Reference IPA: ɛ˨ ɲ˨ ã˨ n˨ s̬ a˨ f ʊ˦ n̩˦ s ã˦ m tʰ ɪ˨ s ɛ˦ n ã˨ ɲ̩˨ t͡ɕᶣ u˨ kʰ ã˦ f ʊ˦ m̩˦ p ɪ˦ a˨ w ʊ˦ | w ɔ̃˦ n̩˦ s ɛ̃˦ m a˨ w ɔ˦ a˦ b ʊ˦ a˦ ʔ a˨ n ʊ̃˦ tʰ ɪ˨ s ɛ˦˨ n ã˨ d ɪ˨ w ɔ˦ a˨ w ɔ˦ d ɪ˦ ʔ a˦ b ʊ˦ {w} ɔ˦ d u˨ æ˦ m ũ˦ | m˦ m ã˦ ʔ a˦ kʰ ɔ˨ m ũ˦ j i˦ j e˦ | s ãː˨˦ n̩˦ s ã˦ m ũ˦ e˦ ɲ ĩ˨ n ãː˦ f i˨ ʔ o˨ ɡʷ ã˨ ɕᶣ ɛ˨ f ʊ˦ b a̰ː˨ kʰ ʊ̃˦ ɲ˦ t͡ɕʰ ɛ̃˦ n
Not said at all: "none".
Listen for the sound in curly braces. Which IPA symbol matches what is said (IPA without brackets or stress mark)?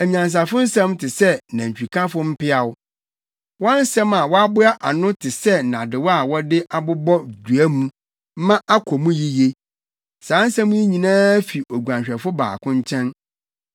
b